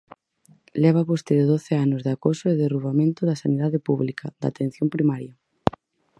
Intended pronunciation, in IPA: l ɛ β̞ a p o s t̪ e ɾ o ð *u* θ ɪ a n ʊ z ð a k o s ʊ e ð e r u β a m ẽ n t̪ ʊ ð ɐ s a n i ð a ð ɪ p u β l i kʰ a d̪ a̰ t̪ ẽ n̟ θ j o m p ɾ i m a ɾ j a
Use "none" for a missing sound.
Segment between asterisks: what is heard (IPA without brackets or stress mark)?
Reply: o